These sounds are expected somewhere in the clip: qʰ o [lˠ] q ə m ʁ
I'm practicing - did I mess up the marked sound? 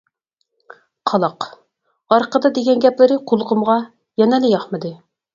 no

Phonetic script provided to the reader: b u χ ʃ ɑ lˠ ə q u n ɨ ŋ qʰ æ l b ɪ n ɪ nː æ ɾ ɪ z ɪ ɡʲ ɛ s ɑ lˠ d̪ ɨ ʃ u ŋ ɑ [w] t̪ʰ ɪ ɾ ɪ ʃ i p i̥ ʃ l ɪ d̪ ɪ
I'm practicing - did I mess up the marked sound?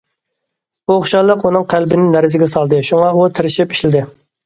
yes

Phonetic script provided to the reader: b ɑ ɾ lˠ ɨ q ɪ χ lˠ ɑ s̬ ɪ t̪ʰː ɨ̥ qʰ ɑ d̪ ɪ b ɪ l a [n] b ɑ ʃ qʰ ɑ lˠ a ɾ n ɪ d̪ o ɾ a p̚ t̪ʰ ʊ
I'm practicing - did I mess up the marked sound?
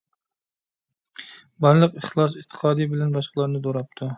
no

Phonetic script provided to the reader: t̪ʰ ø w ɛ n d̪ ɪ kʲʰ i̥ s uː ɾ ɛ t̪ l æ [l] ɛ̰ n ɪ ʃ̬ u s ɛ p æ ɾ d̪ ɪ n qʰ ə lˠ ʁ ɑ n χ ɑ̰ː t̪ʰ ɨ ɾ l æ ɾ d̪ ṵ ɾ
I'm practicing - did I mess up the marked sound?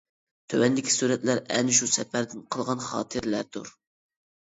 yes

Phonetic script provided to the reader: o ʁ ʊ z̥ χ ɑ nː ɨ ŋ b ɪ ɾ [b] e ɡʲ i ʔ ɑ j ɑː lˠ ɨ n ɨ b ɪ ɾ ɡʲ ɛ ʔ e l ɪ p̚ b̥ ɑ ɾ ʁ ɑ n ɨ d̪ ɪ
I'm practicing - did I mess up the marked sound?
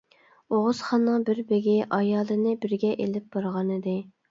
no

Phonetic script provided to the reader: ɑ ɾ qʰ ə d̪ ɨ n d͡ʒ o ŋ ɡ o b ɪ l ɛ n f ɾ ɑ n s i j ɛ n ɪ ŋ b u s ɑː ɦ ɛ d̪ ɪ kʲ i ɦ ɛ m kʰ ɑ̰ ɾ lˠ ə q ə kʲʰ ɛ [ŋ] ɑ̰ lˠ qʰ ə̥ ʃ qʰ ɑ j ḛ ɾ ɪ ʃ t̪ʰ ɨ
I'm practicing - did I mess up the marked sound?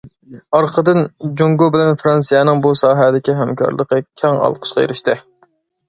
no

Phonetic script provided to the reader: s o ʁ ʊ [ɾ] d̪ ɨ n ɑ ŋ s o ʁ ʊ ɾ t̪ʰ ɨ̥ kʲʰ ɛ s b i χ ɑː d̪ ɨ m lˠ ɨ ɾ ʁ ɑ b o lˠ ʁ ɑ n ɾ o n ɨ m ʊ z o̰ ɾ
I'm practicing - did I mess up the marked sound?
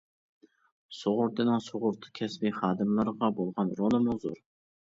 no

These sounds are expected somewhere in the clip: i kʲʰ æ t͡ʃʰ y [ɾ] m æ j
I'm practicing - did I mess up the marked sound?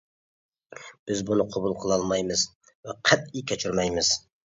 no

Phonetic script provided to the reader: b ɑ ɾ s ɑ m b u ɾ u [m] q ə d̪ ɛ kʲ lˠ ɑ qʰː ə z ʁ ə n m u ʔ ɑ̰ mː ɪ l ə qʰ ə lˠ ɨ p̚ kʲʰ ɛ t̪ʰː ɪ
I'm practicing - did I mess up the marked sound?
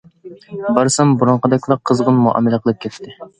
yes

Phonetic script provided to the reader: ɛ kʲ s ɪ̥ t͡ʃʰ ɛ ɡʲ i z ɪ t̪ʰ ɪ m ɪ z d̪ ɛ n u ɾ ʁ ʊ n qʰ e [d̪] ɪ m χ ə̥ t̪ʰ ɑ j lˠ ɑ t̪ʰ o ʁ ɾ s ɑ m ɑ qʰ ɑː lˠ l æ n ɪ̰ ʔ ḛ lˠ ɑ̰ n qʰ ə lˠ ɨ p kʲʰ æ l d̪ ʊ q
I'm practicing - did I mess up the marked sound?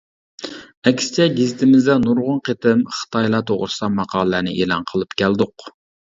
yes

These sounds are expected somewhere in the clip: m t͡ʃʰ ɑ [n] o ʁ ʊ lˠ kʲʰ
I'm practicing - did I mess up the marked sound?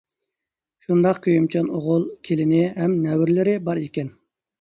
no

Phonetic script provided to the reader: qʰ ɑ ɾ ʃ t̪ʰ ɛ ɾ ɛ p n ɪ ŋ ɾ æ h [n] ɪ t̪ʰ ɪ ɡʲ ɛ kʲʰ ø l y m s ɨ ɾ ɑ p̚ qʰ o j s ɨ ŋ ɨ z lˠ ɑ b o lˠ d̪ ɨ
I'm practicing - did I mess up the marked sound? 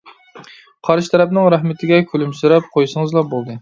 yes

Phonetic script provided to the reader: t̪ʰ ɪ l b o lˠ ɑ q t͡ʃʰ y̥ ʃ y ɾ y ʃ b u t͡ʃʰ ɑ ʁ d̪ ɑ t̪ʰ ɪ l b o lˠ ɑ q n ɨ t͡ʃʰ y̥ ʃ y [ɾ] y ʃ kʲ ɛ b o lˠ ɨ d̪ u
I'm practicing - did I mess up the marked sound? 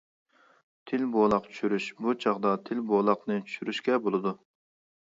no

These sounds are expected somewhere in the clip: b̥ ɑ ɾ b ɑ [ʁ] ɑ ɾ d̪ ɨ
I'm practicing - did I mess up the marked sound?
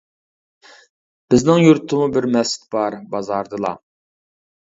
yes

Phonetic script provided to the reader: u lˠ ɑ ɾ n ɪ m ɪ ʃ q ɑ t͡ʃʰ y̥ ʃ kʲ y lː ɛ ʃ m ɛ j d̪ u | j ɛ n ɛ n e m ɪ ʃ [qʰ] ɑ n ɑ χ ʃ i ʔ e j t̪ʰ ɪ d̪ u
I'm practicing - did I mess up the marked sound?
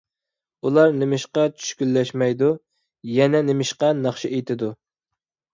yes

